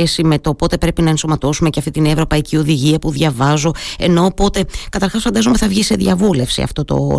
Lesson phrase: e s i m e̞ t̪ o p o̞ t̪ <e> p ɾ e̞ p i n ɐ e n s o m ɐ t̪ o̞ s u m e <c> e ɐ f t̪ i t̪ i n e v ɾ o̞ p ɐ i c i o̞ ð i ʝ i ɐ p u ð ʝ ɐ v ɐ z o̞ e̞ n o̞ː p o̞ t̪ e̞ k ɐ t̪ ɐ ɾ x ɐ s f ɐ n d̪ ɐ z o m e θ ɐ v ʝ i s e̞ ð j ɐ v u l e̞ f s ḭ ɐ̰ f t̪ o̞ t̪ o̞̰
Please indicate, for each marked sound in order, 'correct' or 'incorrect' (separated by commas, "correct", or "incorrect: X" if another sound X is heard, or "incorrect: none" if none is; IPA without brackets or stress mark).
correct, correct